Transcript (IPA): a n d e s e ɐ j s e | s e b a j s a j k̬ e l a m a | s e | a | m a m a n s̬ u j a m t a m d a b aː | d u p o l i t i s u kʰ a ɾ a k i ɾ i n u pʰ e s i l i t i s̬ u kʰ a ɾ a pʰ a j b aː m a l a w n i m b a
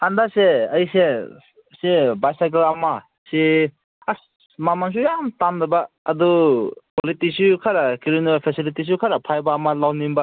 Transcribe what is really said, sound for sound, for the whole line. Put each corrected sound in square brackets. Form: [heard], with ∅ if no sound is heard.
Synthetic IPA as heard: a n d [a] s e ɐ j s e | s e b a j s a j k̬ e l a m a | s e | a | m a m a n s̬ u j a m t a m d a b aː | d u p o l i t i s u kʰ a ɾ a k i ɾ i n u pʰ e s i l i t i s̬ u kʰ a ɾ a pʰ a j b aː m a l a w n i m b a